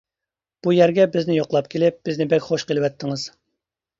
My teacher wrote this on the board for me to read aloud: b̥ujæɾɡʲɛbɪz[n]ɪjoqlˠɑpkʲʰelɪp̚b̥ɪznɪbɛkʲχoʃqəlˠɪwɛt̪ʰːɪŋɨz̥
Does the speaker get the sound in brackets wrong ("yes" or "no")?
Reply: no